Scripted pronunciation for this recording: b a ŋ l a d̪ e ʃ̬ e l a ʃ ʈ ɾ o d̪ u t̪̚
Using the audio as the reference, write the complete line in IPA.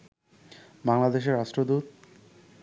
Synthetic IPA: b a ŋ l a d̪ e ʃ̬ e ɾ a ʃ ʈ ɾ o d̪ u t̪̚